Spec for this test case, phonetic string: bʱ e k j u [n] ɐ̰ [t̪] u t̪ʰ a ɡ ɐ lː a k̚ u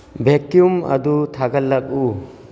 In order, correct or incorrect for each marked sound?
incorrect: m, incorrect: d̪

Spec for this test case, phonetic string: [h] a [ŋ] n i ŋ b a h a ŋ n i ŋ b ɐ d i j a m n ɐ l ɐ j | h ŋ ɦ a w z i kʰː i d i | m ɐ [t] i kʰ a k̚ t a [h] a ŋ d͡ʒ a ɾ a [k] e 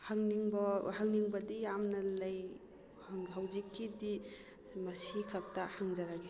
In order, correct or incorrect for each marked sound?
correct, correct, incorrect: s, correct, incorrect: ɡ

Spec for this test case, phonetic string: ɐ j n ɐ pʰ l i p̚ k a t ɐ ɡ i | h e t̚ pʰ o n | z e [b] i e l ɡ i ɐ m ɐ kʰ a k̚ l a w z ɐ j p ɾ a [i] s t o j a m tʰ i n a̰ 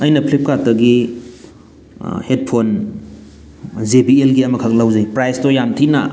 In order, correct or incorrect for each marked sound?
correct, incorrect: j

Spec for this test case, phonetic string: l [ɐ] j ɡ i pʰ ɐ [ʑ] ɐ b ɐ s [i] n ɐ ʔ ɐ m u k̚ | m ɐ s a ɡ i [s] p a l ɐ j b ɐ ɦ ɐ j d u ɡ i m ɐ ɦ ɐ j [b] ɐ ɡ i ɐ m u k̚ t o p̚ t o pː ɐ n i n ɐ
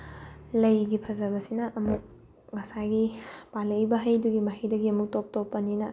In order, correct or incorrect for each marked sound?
correct, incorrect: z, correct, incorrect: none, incorrect: d

